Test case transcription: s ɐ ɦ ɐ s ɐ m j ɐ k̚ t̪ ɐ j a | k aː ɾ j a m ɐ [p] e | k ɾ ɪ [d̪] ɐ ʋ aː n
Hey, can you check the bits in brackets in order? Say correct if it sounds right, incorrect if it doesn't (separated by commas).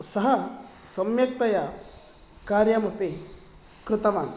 correct, incorrect